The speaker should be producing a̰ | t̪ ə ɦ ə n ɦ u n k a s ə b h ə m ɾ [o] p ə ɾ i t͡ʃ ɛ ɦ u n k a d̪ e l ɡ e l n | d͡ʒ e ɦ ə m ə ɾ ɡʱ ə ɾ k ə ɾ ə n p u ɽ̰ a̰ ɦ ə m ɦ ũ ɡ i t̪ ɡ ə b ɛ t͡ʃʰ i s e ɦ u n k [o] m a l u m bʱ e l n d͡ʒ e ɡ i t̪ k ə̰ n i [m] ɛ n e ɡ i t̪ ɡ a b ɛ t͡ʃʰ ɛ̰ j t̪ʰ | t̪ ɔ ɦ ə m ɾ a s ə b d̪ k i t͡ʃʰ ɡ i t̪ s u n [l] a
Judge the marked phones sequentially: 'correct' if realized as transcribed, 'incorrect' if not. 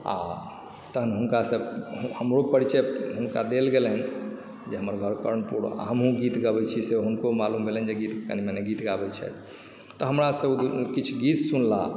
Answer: correct, correct, correct, correct

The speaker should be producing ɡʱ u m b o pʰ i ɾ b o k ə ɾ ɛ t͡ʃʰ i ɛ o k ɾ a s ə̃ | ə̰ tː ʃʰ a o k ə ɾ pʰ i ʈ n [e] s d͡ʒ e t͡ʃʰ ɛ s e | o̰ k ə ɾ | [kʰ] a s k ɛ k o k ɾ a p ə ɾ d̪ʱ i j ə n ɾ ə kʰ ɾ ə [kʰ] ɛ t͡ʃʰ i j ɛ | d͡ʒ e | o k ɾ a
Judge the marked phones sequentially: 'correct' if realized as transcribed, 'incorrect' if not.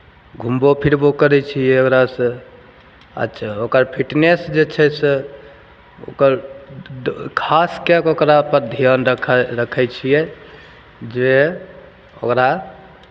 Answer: correct, correct, correct

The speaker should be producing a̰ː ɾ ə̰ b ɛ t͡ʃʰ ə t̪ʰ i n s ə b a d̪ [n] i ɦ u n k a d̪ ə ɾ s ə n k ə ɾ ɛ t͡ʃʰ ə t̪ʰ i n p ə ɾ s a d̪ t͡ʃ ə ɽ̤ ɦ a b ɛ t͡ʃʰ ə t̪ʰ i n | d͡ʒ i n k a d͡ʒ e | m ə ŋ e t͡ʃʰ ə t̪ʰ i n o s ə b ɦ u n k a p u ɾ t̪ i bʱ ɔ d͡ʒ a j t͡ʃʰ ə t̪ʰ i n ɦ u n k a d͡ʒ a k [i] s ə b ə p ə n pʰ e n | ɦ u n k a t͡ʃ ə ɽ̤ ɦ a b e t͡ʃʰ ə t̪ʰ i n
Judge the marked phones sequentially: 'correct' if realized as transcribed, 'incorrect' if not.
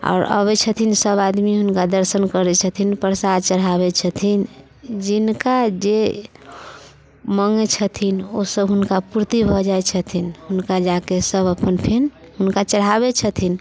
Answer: incorrect: m, incorrect: e

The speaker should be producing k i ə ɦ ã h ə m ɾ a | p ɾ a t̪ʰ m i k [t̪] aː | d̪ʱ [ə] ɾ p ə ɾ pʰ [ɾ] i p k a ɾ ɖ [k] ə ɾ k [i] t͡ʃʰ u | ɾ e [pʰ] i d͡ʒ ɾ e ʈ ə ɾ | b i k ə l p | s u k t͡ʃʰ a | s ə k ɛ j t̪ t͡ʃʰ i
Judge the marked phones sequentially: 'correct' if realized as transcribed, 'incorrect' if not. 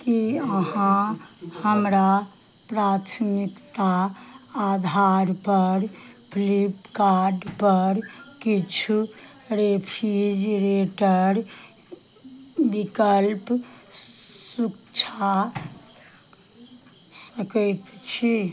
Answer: correct, incorrect: a, incorrect: l, incorrect: p, correct, correct

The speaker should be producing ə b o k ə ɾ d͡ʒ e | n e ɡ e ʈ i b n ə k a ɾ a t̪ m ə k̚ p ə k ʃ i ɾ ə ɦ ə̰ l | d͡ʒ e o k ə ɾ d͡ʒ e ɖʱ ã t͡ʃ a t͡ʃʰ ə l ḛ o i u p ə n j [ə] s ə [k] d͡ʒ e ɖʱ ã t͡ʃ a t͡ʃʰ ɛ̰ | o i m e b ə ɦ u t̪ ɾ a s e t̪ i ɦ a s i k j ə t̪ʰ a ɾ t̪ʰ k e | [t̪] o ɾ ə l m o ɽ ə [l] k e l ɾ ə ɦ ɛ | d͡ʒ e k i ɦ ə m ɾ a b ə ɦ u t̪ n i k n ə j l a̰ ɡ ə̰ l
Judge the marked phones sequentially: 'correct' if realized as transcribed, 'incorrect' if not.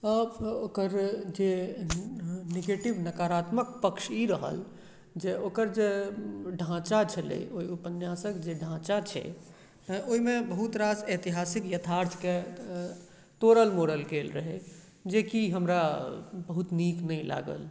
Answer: incorrect: a, correct, correct, correct

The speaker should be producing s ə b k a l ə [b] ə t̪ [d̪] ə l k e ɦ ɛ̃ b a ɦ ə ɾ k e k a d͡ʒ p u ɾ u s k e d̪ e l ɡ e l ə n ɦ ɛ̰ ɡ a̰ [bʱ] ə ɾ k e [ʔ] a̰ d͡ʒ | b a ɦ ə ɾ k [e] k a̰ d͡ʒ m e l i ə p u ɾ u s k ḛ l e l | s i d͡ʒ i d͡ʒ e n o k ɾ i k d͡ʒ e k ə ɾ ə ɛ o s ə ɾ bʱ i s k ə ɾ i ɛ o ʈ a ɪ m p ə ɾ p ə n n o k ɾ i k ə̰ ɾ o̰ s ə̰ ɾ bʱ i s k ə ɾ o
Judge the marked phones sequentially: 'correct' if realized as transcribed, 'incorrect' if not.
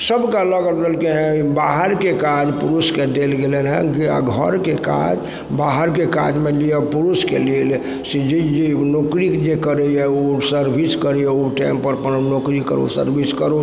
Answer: incorrect: ɡ, correct, incorrect: ɡʱ, incorrect: k, correct

